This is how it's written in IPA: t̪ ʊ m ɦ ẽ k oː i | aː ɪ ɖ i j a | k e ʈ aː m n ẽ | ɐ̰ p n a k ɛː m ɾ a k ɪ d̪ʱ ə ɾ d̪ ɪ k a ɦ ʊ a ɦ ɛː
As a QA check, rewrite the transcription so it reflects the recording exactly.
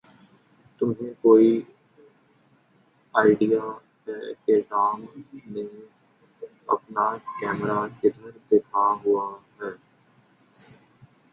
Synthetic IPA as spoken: t̪ ʊ m ɦ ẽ k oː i | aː ɪ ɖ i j a | k e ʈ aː m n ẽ | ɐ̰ p n a k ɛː m ɾ a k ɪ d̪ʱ ə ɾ d̪ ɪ kʰ a ɦ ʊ a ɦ ɛː